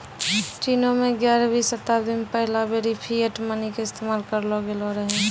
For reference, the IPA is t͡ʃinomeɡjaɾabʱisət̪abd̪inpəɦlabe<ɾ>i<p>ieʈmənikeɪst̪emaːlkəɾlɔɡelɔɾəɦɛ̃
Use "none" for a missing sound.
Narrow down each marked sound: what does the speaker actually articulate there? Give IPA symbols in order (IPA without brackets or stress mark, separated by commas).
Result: ɾ, pʰ